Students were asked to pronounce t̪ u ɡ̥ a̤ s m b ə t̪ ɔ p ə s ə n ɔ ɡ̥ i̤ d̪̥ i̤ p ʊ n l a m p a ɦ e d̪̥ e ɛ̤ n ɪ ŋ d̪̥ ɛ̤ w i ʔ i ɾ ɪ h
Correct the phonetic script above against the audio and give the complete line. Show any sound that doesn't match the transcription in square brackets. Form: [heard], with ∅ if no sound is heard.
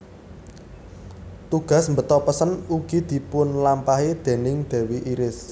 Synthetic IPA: t̪ u ɡ̥ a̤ s m b ə t̪ ɔ p ə s ə n [u] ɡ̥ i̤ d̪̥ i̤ p ʊ n l a m p a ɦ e d̪̥ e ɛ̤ n ɪ ŋ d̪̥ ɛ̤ w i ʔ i ɾ ɪ [s]